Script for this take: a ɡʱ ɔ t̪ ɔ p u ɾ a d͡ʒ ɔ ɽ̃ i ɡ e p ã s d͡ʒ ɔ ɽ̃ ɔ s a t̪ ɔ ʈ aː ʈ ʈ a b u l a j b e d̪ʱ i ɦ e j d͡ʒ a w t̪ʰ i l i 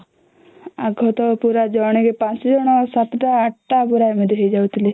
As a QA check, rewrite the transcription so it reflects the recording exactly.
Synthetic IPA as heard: a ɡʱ ɔ t̪ ɔ p u ɾ a d͡ʒ ɔ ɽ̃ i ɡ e p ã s d͡ʒ ɔ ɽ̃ ɔ s a t̪ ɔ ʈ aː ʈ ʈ a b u ɾ a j m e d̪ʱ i ɦ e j d͡ʒ a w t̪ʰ i l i